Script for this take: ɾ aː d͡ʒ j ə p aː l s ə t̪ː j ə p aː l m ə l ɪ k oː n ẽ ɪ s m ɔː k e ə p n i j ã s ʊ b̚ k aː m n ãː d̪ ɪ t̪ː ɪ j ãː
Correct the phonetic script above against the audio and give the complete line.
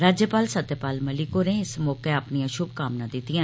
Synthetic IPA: ɾ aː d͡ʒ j ə p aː l s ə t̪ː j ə p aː l m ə l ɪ k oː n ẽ ɪ s m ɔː k e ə p n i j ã ʃ ʊ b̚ k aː m n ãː d̪ ɪ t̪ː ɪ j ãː